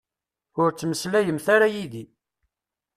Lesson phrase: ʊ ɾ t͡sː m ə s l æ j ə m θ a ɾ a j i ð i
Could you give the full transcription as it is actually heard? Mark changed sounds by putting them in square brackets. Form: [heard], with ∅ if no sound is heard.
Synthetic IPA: ʊ ɾ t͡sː m ə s l æ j ə m θ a ɾ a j i ð i